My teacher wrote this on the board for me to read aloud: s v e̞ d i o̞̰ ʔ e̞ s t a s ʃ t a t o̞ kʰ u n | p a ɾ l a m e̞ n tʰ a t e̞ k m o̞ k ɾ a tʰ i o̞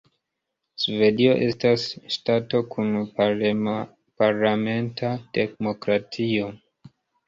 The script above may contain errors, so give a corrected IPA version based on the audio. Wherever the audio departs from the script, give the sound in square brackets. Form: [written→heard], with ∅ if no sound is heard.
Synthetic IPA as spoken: s v e̞ d i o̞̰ ʔ e̞ s t a s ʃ t a t o̞ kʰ u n | p a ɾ l a m e̞ n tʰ a t e̞ k m o̞ k ɾ a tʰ i o̞